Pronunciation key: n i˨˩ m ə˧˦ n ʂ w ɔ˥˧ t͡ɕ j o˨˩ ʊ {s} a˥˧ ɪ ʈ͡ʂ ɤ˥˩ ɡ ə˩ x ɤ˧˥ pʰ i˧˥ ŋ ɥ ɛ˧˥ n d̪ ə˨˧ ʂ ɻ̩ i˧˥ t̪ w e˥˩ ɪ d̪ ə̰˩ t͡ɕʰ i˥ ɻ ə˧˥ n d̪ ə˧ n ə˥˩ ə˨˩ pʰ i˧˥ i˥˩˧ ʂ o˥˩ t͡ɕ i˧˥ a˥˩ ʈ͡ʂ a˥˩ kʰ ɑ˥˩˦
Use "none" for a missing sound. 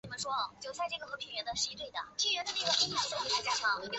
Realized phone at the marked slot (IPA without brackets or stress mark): s